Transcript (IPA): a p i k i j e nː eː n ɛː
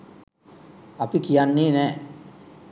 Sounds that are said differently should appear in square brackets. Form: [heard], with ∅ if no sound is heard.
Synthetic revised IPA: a p i k i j [a] nː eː n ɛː